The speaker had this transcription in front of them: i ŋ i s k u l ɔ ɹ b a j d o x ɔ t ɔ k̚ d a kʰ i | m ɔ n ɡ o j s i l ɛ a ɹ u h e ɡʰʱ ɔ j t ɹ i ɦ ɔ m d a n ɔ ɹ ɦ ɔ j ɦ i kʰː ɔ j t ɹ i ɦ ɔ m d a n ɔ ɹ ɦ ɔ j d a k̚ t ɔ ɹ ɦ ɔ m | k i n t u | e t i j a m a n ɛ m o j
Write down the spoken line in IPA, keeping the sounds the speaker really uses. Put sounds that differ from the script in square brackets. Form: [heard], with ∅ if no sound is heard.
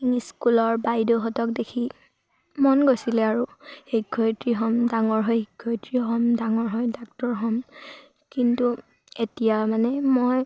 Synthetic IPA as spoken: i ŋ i s k u l ɔ ɹ b a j d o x ɔ t ɔ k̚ d [e] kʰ i | m ɔ n ɡ o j s i l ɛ a ɹ u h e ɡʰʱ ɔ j t ɹ i ɦ ɔ m d a [ŋ] ɔ ɹ ɦ ɔ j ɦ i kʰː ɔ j t ɹ i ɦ ɔ m d a [ŋ] ɔ ɹ ɦ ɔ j d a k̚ t ɔ ɹ ɦ ɔ m | k i n t u | e t i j a m a n ɛ m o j